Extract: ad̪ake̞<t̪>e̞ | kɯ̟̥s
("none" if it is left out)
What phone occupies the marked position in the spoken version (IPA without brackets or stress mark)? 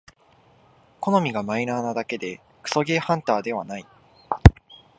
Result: d̪